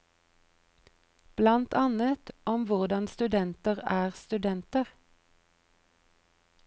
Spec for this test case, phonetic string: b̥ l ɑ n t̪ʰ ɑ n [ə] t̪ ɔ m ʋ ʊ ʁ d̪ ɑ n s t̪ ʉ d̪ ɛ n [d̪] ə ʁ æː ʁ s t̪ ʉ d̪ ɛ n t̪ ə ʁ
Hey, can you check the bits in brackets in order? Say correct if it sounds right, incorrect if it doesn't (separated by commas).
correct, incorrect